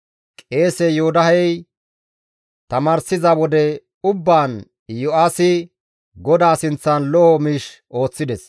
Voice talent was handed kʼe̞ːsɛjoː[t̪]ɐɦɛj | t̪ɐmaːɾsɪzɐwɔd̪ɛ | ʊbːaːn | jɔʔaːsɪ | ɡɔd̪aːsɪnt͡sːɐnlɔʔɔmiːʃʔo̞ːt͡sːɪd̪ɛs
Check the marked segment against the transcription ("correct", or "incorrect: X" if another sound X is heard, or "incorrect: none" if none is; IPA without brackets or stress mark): incorrect: d̪